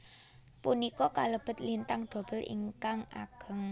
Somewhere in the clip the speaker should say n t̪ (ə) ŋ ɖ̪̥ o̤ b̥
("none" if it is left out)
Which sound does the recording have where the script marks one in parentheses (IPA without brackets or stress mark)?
a